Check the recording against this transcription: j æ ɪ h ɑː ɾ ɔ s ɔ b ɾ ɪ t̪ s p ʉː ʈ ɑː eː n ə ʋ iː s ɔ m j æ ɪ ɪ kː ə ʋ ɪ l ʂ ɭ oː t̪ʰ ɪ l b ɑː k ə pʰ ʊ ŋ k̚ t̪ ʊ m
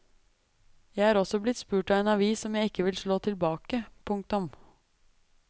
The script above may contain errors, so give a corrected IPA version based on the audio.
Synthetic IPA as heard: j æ ɪ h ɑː ɾ ɔ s ɔ b l ɪ t̪ s p ʉː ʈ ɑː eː n ɑ ʋ iː s ɔ m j æ ɪ ɪ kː ə ʋ ɪ l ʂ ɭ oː t̪ʰ ɪ l b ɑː k ə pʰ ʊ ŋ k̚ t̪ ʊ m